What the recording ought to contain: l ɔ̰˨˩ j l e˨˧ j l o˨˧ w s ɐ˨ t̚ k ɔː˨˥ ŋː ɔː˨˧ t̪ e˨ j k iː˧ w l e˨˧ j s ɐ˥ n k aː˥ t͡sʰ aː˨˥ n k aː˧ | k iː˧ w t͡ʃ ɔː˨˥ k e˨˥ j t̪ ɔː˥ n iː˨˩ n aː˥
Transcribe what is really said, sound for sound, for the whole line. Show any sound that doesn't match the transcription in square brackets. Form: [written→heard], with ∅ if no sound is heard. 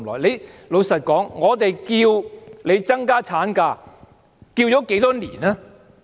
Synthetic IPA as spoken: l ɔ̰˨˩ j l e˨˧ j l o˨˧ w s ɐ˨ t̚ k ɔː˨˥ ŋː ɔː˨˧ t̪ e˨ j k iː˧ w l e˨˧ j [s→t͡s] ɐ˥ [n→ŋ] k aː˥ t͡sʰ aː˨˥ n k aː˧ | k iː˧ w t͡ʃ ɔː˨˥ k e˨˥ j t̪ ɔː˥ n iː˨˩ n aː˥